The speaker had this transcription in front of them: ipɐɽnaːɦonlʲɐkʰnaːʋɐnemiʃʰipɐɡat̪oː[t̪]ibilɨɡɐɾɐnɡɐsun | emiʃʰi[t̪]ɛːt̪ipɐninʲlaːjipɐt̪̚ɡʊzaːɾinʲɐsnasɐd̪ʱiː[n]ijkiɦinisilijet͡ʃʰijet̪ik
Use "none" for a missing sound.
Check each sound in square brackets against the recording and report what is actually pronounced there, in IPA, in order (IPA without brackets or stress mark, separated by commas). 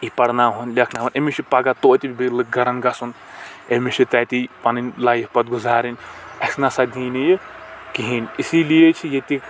t̪, t̪, n